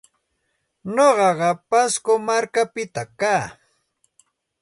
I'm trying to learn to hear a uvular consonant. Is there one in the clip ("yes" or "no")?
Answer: yes